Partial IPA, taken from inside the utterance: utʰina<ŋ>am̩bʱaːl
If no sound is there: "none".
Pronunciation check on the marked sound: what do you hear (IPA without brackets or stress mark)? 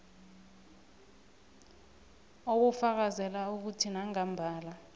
ŋ